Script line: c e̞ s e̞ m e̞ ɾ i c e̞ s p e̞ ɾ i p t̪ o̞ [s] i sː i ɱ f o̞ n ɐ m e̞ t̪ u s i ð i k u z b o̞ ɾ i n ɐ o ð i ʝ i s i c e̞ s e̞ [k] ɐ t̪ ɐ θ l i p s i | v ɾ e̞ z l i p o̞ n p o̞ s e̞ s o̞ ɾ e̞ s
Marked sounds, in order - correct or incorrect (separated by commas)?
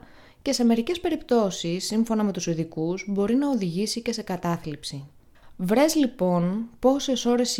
correct, correct